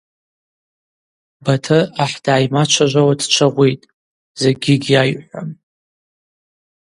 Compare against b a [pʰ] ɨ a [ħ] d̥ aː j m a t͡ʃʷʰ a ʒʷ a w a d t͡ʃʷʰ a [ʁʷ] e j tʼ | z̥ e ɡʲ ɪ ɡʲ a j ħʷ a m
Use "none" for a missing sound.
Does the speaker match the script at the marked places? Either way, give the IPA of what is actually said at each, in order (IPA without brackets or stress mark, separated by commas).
tʰ, ħ, ʁʷ